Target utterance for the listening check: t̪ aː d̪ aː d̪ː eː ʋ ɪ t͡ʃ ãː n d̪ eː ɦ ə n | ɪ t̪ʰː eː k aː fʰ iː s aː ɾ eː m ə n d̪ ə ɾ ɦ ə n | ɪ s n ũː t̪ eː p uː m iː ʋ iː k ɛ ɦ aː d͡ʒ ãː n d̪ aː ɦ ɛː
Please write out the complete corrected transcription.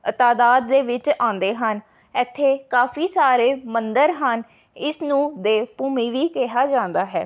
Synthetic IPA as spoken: t̪ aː d̪ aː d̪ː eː ʋ ɪ t͡ʃ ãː n d̪ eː ɦ ə n | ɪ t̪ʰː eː k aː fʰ iː s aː ɾ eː m ə n d̪ ə ɾ ɦ ə n | ɪ s n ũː d̪ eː p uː m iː ʋ iː k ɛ ɦ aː d͡ʒ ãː n d̪ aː ɦ ɛː